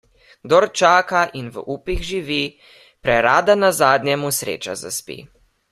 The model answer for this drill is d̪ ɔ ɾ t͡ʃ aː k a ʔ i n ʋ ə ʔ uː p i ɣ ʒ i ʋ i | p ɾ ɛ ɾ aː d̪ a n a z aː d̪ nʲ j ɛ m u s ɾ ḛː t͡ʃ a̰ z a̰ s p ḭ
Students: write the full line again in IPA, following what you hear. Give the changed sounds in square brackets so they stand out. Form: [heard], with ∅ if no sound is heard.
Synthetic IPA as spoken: d̪ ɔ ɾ t͡ʃ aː k a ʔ i n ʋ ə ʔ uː p i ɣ ʒ i ʋ i | p ɾ ɛ ɾ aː d̪ a n a z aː d̪ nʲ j ɛ m u s ɾ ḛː t͡ʃ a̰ z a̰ s p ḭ